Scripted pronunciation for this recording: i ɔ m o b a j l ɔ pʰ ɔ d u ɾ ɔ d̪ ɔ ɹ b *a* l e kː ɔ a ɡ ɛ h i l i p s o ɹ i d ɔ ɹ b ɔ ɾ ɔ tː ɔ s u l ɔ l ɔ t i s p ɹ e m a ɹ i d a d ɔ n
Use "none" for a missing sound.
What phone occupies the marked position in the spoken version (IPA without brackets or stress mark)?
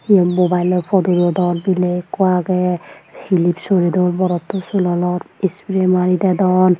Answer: i